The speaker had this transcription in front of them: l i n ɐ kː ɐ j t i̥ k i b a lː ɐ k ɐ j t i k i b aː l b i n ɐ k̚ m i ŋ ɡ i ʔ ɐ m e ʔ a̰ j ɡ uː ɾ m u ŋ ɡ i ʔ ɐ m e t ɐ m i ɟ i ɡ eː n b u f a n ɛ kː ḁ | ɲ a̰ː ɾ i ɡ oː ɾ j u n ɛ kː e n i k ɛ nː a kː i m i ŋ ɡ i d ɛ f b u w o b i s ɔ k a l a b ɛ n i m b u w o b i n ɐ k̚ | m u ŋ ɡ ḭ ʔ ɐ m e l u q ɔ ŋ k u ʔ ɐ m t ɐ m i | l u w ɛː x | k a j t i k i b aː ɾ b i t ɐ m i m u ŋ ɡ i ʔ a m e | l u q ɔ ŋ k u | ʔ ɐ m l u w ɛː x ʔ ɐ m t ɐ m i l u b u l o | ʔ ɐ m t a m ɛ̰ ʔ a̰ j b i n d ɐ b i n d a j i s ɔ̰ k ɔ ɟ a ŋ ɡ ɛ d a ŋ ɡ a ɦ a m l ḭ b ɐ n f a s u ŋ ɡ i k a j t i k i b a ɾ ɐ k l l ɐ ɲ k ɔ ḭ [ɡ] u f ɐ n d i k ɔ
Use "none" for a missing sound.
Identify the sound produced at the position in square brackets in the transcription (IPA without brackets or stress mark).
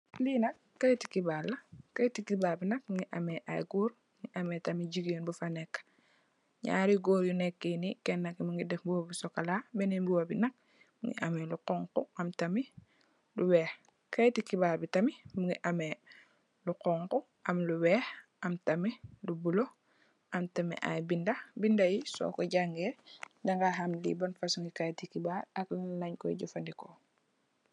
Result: ɟ